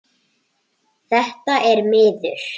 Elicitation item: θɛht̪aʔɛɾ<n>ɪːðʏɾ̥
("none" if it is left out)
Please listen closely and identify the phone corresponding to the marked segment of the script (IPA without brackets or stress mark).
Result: m